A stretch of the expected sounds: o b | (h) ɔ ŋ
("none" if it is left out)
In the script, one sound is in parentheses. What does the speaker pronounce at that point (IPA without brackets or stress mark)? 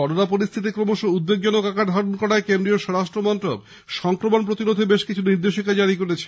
ʃ